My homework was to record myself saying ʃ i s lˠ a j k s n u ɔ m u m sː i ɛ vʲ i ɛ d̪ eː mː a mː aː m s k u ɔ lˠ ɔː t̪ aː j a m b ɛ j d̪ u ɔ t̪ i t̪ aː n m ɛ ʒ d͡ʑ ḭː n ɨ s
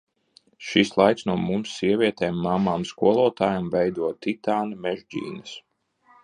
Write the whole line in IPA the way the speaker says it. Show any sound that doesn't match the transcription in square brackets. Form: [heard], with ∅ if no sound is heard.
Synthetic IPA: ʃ i s lˠ a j k s n u ɔ m u m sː i ɛ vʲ i ɛ [t̪] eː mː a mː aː m s k u ɔ lˠ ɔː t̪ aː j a m [v] ɛ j d̪ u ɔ t̪ i t̪ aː n m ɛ ʒ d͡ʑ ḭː n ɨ s